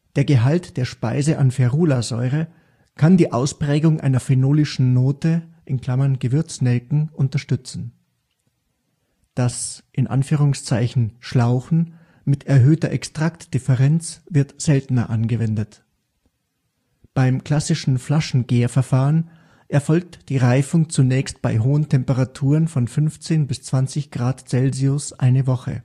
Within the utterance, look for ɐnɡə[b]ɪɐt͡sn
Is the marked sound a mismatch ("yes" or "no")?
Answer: yes